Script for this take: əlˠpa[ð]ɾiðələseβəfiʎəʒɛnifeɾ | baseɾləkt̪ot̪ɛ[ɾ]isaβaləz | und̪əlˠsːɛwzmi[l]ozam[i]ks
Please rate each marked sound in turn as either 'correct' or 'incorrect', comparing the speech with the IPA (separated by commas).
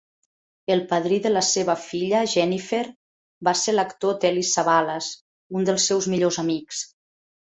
correct, incorrect, incorrect, correct